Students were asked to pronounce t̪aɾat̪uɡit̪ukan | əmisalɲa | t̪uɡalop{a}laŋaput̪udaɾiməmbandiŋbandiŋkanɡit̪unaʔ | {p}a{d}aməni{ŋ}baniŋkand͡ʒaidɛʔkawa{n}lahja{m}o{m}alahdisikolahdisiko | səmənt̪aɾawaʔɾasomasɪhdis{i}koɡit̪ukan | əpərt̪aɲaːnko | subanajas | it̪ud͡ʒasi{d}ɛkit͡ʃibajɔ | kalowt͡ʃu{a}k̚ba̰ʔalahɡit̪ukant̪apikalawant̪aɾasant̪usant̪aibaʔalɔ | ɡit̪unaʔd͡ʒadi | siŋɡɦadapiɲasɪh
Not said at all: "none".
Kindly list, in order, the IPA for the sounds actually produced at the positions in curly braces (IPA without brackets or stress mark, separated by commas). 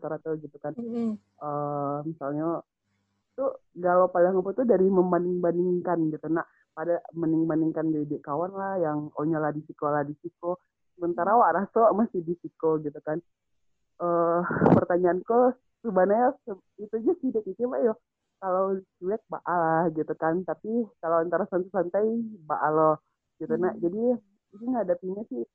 a, p, d, ŋ, n, ŋ, ɲ, i, d, ɛ